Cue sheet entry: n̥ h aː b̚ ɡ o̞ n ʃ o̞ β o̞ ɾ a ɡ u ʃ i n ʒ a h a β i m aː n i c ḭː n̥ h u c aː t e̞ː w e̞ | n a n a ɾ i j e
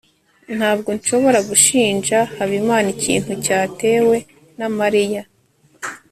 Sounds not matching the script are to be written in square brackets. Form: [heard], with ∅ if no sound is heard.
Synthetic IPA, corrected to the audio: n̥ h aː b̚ ɡ o̞ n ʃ o̞ β o̞ ɾ a ɡ u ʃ [iː] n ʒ a h a β i m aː n i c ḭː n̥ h u c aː t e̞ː w e̞ | n a [m] a ɾ i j [a]